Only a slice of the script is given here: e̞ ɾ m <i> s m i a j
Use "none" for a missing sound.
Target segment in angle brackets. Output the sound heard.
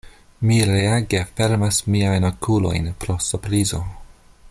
a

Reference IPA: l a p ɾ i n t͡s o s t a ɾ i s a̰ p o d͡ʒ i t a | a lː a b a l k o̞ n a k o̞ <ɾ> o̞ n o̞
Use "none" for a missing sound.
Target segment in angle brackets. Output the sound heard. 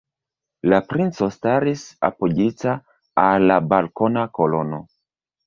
l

